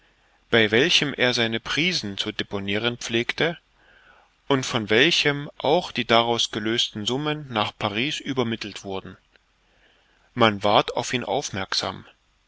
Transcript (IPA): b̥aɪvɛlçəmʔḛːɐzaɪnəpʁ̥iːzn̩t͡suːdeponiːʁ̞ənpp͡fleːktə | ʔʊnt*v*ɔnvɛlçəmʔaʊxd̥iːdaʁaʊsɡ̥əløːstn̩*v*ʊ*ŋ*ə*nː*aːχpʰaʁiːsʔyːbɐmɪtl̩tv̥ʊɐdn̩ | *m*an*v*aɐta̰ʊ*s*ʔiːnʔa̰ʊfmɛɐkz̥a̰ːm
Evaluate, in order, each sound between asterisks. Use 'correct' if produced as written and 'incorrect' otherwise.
incorrect: f, incorrect: z, incorrect: m, correct, correct, correct, incorrect: f

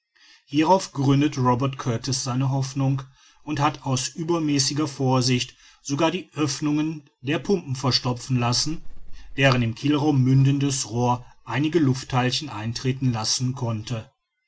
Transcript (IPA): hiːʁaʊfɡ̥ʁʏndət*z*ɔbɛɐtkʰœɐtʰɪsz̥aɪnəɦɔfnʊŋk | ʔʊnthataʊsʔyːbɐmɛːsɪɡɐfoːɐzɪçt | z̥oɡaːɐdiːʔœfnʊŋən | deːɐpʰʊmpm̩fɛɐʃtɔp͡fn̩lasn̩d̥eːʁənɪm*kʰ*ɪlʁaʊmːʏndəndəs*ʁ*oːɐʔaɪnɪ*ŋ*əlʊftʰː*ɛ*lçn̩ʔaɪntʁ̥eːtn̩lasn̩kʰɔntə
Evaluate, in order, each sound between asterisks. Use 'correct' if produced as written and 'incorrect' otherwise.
incorrect: ʁ, correct, correct, incorrect: ɡ, incorrect: a

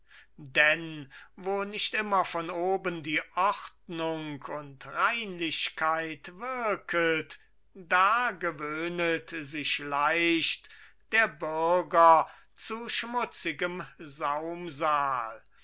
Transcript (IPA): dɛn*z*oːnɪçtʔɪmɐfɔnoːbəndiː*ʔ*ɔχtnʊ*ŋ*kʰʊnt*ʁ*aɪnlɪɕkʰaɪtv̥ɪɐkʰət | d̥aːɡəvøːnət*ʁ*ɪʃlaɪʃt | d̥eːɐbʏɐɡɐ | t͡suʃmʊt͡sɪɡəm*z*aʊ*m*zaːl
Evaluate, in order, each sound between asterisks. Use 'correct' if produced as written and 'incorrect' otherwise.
incorrect: v, correct, correct, correct, incorrect: z, correct, correct

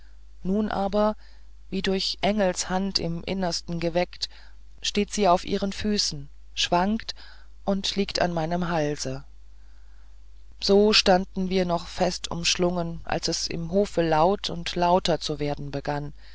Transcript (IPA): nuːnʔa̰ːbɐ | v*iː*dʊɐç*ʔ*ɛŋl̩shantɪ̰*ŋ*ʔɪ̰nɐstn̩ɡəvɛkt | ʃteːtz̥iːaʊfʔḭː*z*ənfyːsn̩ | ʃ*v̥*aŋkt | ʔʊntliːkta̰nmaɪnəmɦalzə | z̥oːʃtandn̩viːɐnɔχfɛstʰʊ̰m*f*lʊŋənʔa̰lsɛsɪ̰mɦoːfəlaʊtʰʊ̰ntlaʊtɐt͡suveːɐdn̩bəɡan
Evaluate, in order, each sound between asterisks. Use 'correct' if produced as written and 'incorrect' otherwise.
correct, correct, incorrect: m, incorrect: ʁ, correct, incorrect: ʃ

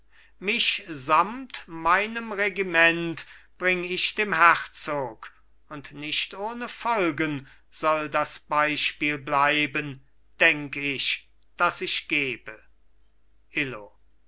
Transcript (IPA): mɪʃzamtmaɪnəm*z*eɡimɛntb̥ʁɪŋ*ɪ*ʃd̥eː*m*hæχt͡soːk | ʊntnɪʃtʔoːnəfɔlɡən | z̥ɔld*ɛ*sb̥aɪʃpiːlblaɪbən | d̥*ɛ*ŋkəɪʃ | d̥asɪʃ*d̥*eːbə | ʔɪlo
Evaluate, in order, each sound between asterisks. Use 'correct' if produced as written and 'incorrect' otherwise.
incorrect: ʁ, correct, correct, incorrect: a, correct, incorrect: ɡ̥

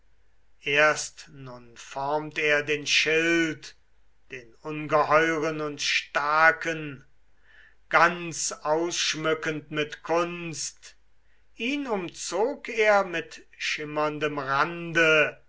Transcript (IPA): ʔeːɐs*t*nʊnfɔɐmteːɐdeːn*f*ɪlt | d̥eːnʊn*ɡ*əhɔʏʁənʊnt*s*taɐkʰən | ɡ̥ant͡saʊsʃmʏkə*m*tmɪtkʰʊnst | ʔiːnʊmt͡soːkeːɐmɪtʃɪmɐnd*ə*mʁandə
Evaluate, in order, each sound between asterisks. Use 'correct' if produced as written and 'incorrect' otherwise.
correct, incorrect: ʃ, correct, incorrect: ʃ, incorrect: n, correct

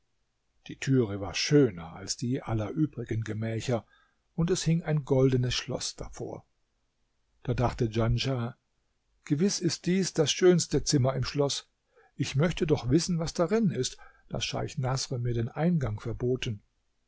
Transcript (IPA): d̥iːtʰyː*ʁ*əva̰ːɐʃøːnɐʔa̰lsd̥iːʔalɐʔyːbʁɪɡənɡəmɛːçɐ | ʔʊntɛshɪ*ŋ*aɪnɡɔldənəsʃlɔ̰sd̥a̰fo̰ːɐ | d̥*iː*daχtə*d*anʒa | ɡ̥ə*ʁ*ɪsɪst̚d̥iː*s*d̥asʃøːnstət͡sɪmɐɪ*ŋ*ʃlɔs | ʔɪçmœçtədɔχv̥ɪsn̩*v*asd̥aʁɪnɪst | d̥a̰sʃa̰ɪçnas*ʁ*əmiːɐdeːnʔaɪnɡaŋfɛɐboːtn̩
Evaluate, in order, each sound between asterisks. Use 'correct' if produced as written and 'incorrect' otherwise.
correct, correct, incorrect: aː, incorrect: d͡ʒ, incorrect: v, correct, incorrect: m, correct, correct

